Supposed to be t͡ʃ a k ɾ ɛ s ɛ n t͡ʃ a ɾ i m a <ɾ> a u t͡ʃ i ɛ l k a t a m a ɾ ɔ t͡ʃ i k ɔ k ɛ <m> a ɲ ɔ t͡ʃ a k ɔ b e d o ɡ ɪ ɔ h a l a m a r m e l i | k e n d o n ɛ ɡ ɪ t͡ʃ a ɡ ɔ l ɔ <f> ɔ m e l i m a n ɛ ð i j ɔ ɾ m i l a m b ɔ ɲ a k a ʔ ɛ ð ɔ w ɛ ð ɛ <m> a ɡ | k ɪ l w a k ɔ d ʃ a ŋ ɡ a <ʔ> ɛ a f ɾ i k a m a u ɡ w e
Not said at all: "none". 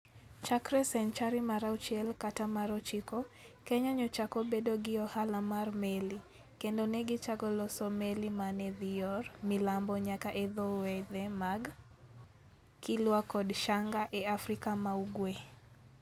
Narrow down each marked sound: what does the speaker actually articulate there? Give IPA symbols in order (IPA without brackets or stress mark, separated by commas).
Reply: ɾ, ɲ, s, m, ʔ